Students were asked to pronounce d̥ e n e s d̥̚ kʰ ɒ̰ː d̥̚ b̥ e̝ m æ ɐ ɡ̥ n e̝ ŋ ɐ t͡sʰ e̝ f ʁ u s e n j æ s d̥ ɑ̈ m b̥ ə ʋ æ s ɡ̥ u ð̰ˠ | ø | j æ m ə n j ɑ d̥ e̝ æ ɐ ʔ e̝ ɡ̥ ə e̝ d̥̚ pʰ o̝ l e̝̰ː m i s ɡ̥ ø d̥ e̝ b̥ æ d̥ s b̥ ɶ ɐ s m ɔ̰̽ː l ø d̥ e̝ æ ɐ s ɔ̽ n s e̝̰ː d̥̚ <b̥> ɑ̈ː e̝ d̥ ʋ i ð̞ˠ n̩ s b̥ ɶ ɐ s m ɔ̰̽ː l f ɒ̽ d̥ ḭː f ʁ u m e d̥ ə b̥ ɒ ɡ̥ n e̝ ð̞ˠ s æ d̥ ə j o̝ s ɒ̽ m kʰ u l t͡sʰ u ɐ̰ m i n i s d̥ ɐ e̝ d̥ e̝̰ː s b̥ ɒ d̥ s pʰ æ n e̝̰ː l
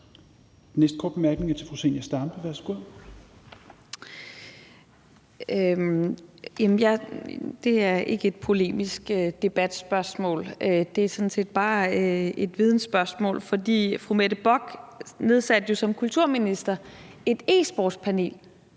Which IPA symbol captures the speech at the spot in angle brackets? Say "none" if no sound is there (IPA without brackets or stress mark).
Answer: b̥